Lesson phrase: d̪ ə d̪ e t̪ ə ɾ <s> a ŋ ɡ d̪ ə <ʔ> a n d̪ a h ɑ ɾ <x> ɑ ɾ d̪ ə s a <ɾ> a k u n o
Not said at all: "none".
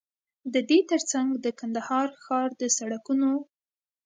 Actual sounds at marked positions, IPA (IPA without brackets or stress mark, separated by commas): t͡s, k, x, ɽ